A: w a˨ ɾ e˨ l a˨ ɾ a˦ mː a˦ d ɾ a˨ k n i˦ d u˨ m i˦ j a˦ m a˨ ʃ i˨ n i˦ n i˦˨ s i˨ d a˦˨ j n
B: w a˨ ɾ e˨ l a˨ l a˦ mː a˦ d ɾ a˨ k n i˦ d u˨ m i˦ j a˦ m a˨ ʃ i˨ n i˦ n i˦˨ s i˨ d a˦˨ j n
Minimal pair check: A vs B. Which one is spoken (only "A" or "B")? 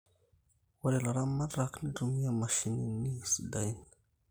A